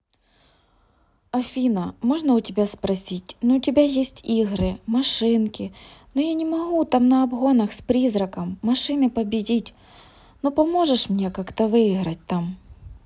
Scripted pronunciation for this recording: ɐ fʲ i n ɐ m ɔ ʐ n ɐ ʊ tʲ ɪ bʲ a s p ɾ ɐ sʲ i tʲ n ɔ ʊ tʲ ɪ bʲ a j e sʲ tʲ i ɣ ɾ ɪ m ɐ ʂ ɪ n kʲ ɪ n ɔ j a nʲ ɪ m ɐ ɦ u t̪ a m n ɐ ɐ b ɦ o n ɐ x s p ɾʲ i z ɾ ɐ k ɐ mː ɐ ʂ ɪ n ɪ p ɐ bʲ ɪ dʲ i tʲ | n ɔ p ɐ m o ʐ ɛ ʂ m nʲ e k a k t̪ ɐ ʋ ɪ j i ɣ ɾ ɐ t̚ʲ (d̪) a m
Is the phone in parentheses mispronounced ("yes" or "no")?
yes